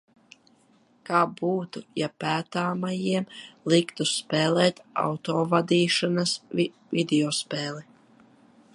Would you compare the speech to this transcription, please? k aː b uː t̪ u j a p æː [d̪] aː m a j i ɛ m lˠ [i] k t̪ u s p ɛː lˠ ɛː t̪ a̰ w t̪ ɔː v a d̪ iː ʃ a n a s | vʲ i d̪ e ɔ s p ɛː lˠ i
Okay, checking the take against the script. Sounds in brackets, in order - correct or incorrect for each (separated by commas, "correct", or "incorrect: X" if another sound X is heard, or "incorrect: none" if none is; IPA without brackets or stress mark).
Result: incorrect: t̪, correct